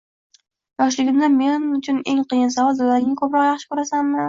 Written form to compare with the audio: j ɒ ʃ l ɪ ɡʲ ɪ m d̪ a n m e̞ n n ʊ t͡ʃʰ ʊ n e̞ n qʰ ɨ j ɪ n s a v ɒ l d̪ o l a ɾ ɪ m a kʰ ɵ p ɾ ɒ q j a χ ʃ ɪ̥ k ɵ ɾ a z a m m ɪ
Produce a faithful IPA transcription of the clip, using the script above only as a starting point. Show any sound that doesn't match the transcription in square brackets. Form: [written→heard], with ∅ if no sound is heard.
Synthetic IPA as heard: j ɒ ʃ l ɪ ɡʲ ɪ m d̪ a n m e̞ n n ʊ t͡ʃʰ ʊ n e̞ [n→ŋ] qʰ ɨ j ɪ n s a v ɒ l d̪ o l a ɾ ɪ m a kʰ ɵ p ɾ ɒ q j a χ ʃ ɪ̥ k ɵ ɾ a [z→s] a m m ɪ